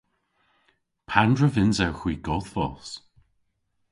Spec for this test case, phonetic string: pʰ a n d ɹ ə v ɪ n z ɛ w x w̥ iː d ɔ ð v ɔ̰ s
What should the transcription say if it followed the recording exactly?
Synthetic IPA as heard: pʰ a n d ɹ ə v ɪ n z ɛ w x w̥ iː ɡ ɔ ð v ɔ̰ s